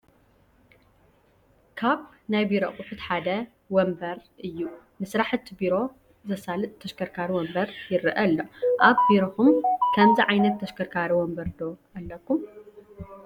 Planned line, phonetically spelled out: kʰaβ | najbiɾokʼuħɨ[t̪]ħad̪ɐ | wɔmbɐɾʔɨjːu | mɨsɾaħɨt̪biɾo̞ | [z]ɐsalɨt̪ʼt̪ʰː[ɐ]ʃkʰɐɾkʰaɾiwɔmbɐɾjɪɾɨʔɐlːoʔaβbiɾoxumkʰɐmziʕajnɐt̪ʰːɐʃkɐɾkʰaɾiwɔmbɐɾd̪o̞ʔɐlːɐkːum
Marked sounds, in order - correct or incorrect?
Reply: correct, correct, correct

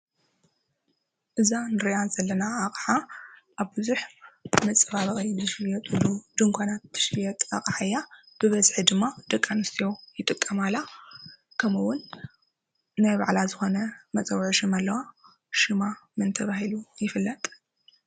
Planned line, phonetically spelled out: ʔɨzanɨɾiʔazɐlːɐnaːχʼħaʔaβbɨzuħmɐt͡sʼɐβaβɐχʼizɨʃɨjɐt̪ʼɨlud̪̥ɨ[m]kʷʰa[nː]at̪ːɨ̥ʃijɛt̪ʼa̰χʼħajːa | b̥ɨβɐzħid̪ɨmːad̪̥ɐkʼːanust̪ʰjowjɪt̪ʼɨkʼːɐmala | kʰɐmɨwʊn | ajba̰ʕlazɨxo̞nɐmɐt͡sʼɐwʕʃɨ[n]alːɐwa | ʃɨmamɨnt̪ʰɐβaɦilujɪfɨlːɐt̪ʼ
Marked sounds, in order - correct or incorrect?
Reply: incorrect, incorrect, incorrect

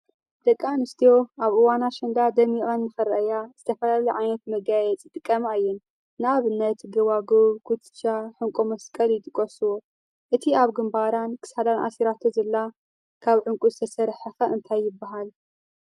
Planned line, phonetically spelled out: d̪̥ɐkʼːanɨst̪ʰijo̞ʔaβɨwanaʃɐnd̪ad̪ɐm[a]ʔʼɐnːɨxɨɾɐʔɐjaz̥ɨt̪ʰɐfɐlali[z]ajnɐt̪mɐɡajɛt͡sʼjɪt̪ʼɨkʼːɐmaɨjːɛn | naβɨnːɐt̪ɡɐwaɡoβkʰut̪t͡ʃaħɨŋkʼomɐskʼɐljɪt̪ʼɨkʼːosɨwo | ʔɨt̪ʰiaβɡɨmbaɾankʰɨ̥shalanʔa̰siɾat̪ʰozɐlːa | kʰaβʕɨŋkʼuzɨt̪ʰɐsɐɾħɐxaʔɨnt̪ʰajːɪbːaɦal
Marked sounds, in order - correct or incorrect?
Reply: incorrect, incorrect

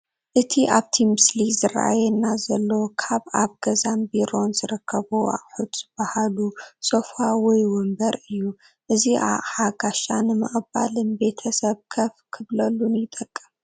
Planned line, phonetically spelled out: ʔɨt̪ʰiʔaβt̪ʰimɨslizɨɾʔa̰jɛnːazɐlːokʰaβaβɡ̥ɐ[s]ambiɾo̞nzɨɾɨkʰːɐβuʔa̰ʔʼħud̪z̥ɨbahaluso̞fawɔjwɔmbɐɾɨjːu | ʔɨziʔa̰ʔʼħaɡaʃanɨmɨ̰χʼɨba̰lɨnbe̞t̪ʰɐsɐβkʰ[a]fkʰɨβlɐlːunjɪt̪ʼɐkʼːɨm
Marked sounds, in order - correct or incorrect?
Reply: incorrect, incorrect

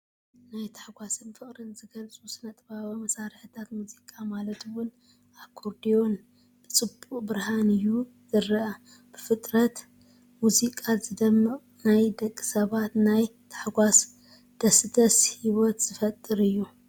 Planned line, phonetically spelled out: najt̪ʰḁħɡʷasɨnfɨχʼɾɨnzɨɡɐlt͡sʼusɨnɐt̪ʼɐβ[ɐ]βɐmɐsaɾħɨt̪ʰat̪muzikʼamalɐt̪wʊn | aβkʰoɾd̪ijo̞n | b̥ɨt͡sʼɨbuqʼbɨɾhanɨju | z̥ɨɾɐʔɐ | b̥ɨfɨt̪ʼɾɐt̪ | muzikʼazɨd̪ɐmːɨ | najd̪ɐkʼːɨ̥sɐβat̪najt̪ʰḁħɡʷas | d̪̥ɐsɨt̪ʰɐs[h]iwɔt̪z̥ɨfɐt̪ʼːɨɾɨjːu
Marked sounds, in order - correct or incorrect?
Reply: incorrect, correct

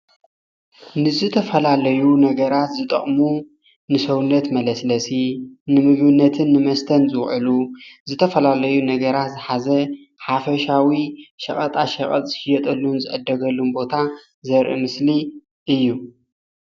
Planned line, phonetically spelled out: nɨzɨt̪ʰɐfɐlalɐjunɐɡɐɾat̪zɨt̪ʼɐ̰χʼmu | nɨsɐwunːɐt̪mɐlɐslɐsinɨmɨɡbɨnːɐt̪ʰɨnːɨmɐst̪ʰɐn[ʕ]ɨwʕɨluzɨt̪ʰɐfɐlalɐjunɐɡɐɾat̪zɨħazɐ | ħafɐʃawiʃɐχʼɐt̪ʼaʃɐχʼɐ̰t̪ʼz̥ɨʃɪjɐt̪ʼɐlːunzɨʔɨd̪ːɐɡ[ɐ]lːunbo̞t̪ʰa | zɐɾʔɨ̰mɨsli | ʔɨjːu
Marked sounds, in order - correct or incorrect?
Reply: incorrect, correct

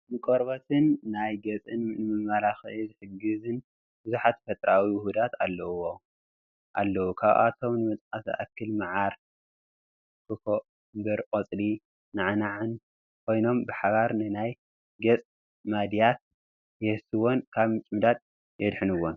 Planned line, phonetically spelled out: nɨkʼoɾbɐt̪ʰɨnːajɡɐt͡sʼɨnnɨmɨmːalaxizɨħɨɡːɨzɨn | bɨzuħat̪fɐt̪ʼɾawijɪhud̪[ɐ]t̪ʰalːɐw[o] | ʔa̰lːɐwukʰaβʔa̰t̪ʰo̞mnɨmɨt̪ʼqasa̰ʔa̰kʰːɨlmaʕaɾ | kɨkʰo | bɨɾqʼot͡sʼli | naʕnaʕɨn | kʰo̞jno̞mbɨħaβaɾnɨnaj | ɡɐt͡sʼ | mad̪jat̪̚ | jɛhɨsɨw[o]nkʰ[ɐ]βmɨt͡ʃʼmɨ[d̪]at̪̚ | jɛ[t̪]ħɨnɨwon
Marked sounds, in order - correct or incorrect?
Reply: incorrect, correct, correct, incorrect, correct, incorrect

